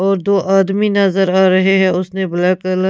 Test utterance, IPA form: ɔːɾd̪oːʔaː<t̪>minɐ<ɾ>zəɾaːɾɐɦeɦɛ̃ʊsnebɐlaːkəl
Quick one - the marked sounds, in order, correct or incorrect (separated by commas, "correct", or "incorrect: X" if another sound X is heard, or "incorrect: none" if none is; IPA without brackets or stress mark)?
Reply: incorrect: d̪, incorrect: none